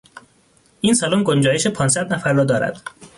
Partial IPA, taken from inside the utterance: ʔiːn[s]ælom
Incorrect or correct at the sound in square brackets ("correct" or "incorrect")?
correct